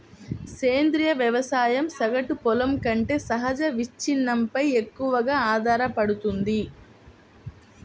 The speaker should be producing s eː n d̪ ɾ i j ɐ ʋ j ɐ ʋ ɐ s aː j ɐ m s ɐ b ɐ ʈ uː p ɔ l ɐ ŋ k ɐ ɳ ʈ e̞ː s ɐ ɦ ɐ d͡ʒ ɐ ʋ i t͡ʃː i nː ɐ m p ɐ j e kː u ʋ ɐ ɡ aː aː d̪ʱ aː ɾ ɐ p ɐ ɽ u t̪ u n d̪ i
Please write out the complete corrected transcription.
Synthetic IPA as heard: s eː n d̪ ɾ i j ɐ ʋ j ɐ ʋ ɐ s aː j ɐ m s ɐ ɡ ɐ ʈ u p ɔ l ɐ m k ɐ ɳ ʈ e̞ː s ɐ ɦ ɐ d͡ʒ ɐ ʋ i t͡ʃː i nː ɐ m p ɐ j e kː u ʋ ɐ ɡ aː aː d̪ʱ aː ɾ ɐ p ɐ ɽ u t̪ u n d̪ i

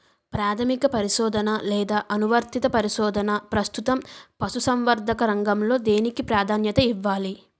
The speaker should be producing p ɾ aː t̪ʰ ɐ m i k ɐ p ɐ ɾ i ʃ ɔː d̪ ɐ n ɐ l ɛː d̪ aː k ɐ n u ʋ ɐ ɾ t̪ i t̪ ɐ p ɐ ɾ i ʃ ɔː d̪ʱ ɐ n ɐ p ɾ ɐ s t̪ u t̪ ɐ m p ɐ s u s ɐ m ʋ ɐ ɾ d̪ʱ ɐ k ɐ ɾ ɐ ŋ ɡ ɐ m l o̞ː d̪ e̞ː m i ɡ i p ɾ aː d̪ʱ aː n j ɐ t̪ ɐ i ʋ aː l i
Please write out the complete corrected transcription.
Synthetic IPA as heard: p ɾ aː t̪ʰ ɐ m i k ɐ p ɐ ɾ i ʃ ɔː d̪ ɐ n ɐ l ɛː d̪ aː ʔ ɐ n u ʋ ɐ ɾ t̪ i t̪ ɐ p ɐ ɾ i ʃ ɔː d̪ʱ ɐ n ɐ p ɾ ɐ s t̪ u t̪ ɐ m p ɐ s u s ɐ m ʋ ɐ ɾ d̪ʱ ɐ k ɐ ɾ ɐ ŋ ɡ ɐ m l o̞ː d̪ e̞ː n i k i p ɾ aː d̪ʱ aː n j ɐ t̪ ɐ i ʋː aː l i

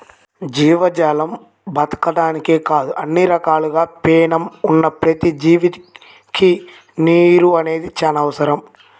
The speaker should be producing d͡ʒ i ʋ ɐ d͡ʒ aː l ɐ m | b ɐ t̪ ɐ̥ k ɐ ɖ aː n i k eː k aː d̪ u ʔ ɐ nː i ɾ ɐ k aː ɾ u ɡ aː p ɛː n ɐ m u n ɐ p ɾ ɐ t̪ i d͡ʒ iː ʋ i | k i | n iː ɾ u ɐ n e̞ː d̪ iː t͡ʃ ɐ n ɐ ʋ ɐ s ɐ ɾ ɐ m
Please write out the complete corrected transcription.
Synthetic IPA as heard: d͡ʒ iː ʋ ɐ d͡ʒ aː l ɐ m | b ɐ t̪ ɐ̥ k ɐ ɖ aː n i k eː k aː d̪ u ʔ ɐ nː i ɾ ɐ k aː l u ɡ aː p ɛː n ɐ m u nː ɐ p ɾ ɐ t̪ i d͡ʒ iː ʋ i | k i | n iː ɾ u ɐ n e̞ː d̪ i t͡ʃ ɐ n ɐ ʋ ɐ s ɐ ɾ ɐ m

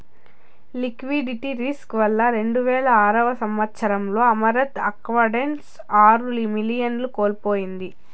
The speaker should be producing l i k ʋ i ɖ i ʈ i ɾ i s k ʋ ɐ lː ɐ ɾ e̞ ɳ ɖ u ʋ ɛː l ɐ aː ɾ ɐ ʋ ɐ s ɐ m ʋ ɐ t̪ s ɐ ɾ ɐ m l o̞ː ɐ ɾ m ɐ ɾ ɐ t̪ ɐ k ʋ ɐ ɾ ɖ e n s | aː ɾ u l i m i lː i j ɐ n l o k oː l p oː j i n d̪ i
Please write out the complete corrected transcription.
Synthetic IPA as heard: l i k ʋ i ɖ i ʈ i ɾ i s k ʋ ɐ lː ɐ ɾ e̞ ɳ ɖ u ʋ ɛː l ɐ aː ɾ ɐ ʋ ɐ s ɐ m ʋ ɐ t̪ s ɐ ɾ ɐ m l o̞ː ɐ m ɐ ɾ ɐ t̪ ɐ k ʋ ɐ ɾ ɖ e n s | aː ɾ u l i m i l i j ɐ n l u k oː l p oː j i n d̪ i

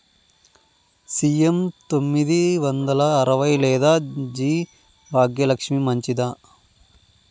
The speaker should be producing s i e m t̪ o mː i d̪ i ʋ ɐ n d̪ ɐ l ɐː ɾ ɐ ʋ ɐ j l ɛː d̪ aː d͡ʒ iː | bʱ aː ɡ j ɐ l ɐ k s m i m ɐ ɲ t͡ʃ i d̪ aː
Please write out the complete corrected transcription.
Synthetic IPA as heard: s i e m t̪ o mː i d̪ i ʋ ɐ n d̪ ɐ l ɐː ɾ ɐ ʋ ɐ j l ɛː d̪ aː d͡ʒ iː | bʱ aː ɡ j ɐ l ɐ k ʂ m i m ɐ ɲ t͡ʃ i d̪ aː

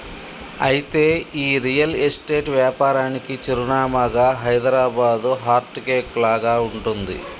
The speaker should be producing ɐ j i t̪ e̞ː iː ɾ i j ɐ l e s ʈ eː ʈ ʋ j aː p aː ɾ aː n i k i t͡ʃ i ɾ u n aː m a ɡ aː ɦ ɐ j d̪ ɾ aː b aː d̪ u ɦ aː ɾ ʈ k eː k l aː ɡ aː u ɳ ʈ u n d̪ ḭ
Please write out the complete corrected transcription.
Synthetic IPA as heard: ɐ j i t̪ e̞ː iː ɾ i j ɐ l e s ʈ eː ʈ ʋ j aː p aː ɾ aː n i k i t͡ʃ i ɾ u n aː m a ɡ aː ɦ ɐ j d̪ ɾ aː b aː d̪ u ɦ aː ɾ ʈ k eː k l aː ɡ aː u ɳ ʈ u n d̪ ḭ

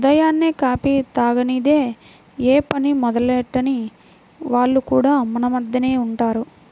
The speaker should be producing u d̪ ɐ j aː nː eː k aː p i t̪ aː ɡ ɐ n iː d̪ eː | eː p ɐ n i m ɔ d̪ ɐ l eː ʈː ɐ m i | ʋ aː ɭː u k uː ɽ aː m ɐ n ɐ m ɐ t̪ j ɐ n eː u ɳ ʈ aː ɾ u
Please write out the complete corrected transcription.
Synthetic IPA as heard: u d̪ ɐ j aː nː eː k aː p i t̪ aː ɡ ɐ n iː d̪ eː | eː p ɐ n i m ɔ d̪ ɐ l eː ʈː ɐ n i | ʋ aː ɭː u k uː ɽ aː m ɐ n ɐ m ɐ d̪ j ɐ n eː u ɳ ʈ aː ɾ u

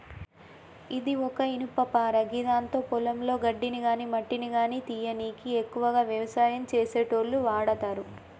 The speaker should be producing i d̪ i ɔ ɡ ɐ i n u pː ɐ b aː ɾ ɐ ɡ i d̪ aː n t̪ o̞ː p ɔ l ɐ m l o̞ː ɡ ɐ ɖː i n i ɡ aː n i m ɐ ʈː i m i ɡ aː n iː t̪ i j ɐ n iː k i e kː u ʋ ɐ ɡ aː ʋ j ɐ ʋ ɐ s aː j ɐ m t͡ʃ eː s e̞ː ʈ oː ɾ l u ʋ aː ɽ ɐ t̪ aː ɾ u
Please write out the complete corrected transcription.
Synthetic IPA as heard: i d̪ i ɔ k ɐ i n u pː ɐ p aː ɾ ɐ ɡ i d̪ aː n t̪ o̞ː p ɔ l ɐ m l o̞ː ɡ ɐ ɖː i n i ɡ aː n i m ɐ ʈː i n i ɡ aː n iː t̪ i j ɐ n iː k i e kː u ʋ ɐ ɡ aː ʋ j ɐ ʋ ɐ s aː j ɐ m t͡ʃ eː s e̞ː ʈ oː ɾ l u ʋ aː ɽ ɐ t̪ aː ɾ u

